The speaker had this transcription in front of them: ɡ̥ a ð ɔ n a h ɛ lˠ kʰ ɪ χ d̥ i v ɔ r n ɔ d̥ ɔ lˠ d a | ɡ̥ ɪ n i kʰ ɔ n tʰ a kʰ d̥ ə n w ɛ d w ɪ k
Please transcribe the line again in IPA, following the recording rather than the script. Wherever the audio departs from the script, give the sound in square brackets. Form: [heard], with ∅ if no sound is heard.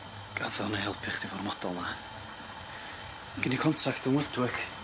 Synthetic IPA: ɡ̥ a ð ɔ n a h ɛ lˠ [pʰ] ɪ χ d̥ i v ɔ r [m] ɔ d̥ ɔ lˠ [n] a | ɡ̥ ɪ n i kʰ ɔ n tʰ a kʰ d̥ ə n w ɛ d w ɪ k